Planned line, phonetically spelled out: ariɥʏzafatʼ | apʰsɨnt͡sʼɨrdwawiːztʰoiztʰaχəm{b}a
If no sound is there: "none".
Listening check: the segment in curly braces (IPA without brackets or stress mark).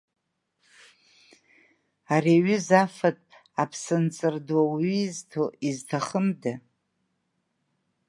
d